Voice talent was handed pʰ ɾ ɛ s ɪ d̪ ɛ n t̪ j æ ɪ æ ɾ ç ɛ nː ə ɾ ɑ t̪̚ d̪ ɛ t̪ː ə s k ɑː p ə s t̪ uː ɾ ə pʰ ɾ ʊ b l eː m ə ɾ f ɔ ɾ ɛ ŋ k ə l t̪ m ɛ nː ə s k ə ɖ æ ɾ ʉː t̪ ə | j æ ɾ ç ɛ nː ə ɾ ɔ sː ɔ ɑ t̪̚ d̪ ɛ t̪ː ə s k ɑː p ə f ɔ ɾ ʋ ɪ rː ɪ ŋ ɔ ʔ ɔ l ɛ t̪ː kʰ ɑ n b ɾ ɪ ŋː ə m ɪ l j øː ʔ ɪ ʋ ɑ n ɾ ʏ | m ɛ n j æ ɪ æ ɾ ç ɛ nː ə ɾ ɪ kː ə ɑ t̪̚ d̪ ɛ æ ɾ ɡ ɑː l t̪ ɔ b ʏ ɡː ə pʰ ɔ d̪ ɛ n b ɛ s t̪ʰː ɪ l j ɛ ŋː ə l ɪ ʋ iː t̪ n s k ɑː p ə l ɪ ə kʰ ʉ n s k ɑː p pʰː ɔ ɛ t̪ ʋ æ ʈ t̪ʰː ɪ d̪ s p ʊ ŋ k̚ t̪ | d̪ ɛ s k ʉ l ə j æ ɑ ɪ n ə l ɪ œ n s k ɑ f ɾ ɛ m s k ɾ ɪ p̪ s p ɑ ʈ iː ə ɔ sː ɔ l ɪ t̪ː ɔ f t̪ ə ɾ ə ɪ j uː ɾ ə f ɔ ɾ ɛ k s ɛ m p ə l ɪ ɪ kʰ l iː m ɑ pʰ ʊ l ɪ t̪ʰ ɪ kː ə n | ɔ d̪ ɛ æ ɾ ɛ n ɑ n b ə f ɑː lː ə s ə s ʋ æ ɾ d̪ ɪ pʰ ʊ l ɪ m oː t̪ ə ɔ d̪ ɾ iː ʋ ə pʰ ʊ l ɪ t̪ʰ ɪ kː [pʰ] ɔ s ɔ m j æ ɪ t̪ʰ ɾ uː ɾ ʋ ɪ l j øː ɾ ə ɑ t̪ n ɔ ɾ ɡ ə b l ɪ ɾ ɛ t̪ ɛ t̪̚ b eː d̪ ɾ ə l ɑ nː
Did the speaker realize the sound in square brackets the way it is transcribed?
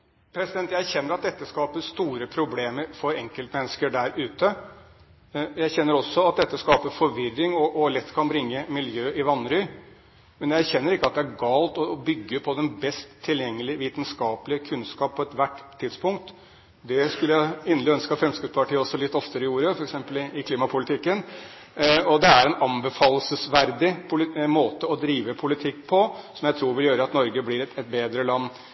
yes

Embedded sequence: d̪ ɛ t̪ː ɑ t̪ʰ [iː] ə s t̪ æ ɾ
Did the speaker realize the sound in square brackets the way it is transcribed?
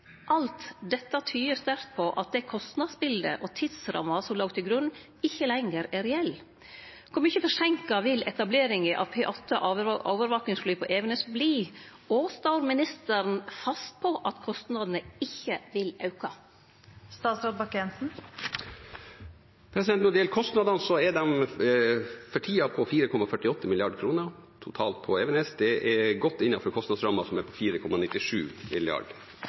no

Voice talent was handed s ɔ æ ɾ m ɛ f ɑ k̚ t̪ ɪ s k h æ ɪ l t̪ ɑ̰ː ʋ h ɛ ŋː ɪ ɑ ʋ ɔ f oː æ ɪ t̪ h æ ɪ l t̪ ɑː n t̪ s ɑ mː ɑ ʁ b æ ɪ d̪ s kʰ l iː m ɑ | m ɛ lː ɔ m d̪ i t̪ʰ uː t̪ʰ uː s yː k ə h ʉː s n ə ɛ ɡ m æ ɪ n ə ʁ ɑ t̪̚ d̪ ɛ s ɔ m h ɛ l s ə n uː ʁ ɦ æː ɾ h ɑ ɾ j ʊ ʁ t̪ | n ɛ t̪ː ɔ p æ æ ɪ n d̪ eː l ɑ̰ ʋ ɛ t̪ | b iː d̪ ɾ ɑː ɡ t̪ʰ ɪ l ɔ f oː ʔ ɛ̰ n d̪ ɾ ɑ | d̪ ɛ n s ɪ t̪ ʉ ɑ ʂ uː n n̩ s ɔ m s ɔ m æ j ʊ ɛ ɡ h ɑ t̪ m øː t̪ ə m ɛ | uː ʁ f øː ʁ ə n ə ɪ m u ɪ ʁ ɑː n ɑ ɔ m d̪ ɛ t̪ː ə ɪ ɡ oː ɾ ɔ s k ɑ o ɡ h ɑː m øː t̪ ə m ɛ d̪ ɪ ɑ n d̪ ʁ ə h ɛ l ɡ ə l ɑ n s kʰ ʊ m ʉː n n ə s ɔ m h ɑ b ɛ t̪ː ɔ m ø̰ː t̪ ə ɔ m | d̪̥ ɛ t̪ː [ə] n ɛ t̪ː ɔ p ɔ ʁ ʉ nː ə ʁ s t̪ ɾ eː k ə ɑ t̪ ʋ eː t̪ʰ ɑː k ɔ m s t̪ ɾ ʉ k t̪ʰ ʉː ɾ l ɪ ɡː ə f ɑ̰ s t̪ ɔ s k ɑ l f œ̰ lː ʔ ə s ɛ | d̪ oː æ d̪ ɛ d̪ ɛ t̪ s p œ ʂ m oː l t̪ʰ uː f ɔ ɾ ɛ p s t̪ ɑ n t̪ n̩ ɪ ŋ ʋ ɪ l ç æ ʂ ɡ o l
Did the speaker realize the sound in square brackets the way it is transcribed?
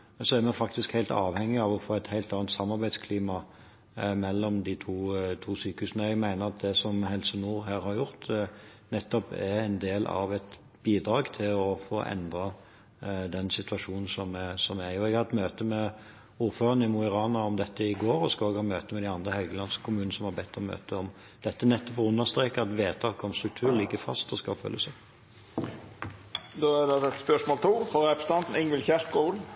yes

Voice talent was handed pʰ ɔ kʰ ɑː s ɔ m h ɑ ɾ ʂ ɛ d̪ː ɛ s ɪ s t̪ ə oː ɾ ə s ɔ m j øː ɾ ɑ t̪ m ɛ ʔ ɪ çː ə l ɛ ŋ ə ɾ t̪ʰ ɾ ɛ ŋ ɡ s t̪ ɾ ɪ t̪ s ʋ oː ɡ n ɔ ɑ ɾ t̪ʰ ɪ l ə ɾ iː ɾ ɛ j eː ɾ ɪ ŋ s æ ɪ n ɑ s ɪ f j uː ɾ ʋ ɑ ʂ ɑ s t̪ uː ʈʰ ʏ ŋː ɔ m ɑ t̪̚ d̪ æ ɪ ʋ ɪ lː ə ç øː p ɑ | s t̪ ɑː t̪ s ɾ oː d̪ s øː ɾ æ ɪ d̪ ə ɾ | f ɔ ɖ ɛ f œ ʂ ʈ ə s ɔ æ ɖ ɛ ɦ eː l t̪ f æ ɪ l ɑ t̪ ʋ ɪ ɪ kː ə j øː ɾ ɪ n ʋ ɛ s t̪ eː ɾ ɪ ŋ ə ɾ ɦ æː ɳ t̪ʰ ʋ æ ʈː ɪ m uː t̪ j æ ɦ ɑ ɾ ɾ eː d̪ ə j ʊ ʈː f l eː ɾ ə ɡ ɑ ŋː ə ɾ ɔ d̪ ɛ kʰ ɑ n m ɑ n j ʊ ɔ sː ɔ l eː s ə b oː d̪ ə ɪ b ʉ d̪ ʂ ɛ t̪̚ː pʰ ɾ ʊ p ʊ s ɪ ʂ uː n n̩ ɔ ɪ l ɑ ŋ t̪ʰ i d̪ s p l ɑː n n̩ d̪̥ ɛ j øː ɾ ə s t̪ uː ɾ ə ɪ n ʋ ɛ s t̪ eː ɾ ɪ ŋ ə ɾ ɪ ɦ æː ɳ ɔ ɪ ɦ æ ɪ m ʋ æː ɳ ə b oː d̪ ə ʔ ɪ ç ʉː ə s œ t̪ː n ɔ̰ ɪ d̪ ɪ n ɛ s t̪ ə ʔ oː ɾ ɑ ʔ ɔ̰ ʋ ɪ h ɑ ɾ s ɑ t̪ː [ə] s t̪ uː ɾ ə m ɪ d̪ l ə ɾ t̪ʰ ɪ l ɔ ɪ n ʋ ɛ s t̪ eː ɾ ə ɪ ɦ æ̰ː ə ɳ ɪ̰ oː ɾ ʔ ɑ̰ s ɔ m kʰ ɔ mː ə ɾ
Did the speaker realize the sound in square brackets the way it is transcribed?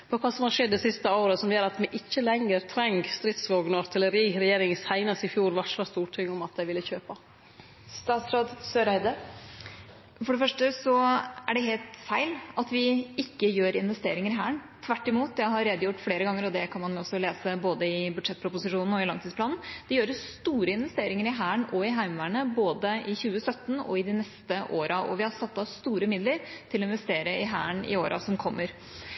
no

